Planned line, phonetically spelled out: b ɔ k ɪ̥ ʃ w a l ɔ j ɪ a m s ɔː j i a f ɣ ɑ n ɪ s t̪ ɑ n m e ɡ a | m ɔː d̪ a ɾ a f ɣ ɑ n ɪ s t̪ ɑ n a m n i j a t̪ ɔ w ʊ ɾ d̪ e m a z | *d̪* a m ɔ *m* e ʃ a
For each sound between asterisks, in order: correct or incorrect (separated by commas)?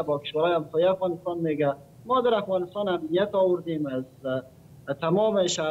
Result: incorrect, correct